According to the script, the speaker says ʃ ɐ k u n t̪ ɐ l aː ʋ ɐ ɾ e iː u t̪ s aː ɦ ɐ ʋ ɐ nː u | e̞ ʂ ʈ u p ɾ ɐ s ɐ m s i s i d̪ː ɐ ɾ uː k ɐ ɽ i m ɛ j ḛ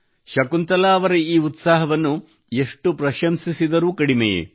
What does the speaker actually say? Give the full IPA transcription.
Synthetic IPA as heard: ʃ ɐ k u n t̪ ɐ l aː ʋ ɐ ɾ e iː u t̪ s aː ɦ ɐ ʋ ɐ nː u | e̞ ʂ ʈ u p ɾ ɐ ʃ ɐ m s i s i d̪ ɐ ɾ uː k ɐ ɽ i m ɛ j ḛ